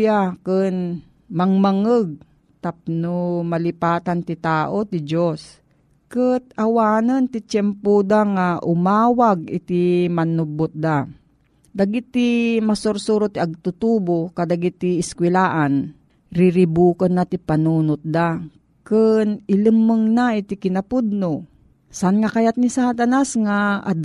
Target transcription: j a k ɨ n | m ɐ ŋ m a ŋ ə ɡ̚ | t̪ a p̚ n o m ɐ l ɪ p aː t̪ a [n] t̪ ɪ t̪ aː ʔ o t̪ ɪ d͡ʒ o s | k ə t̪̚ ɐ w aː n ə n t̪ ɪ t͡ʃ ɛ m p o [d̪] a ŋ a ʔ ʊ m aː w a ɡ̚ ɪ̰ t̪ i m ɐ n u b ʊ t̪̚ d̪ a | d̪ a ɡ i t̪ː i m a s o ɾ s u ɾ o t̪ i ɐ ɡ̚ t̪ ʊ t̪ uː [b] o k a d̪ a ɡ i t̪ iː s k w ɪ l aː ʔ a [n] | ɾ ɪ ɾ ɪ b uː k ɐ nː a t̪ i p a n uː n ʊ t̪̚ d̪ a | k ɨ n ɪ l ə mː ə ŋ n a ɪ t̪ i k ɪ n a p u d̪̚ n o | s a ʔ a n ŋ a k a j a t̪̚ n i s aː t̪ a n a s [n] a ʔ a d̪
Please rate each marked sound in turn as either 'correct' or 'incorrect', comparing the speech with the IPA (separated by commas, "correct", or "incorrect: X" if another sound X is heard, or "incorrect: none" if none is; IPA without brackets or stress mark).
correct, correct, correct, correct, incorrect: ŋ